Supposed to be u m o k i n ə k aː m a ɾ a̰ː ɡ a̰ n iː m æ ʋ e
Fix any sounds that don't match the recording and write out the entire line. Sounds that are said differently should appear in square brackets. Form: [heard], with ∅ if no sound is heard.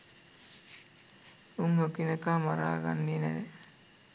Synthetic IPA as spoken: u [ŋ] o k i n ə k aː m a ɾ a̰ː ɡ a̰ [nː] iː [n] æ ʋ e